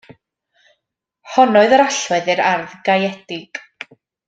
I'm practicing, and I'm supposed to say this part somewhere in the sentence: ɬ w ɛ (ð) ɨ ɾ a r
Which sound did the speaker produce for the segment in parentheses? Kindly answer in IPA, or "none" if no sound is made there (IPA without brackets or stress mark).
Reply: ð